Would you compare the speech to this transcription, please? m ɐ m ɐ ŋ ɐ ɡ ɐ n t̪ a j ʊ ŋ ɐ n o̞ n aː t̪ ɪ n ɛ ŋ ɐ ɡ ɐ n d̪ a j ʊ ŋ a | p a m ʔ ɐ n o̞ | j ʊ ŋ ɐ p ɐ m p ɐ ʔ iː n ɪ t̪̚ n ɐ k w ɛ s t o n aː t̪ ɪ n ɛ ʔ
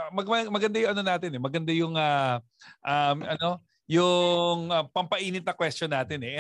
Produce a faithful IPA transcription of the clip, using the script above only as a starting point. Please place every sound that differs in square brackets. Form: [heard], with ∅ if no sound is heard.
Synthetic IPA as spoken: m ɐ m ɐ [m] ɐ ɡ ɐ n [d̪] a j ʊ ŋ ɐ n o̞ n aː t̪ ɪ n ɛ [m] ɐ ɡ ɐ n d̪ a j ʊ ŋ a | [ʔ] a m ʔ ɐ n o̞ | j ʊ ŋ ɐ p ɐ m p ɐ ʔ iː n ɪ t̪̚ n ɐ k w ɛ s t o n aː t̪ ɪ n ɛ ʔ